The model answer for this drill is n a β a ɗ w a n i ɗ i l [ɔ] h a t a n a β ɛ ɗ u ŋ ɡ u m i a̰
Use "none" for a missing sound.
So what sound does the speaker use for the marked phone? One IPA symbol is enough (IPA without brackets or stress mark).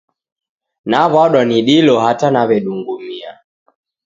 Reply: ɔ